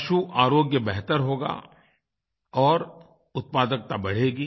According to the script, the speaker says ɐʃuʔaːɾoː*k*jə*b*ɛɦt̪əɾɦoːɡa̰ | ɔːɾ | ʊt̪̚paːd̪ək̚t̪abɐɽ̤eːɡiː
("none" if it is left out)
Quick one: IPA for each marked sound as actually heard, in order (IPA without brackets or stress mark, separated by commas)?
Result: ɡ, b